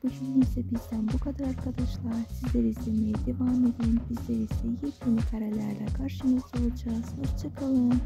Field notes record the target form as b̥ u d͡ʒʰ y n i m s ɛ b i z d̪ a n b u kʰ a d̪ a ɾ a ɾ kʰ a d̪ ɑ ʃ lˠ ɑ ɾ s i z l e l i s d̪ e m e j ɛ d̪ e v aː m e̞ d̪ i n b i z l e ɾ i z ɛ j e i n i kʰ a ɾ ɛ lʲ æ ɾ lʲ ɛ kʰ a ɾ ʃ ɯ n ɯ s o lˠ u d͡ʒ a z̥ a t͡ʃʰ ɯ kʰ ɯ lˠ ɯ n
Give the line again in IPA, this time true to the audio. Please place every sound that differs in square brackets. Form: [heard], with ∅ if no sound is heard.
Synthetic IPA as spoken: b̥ u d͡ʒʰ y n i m s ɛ b i z d̪ [æ] n b u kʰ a d̪ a ɾ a ɾ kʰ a d̪ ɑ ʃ lˠ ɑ ɾ s i z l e [ɾ] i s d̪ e m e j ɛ d̪ e v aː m e̞ d̪ i n b i z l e ɾ i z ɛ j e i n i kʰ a ɾ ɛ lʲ æ ɾ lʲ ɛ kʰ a ɾ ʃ ɯ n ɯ s o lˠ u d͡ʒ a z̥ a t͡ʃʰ ɯ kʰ ɯ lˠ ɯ n